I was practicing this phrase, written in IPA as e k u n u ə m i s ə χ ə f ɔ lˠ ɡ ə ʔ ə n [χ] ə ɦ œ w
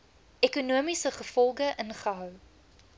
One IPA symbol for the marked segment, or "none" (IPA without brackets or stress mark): χ